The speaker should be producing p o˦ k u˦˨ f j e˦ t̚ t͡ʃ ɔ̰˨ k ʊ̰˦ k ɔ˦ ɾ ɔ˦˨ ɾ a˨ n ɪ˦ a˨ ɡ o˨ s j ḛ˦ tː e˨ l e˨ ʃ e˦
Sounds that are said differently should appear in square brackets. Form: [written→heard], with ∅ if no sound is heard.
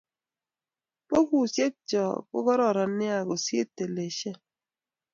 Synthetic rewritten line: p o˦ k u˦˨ [f→s] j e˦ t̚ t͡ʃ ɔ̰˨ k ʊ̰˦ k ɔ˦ ɾ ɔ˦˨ ɾ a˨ n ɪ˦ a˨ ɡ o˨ s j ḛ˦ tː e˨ l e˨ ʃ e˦